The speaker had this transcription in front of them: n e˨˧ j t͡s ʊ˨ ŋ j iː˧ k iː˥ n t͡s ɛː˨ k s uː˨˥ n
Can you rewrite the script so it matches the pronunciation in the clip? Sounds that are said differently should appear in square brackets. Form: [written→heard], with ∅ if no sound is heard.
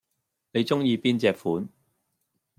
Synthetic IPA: n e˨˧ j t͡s [ʊ˨→ʊ˥] ŋ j iː˧ [k→p] iː˥ n t͡s ɛː˨ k [s→f] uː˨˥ n